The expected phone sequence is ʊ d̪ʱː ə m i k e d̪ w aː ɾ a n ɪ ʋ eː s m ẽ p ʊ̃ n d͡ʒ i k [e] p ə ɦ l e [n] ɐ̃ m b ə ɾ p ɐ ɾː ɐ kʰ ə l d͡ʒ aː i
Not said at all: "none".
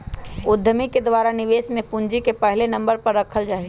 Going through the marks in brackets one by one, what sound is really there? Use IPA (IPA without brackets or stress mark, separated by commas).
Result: e, n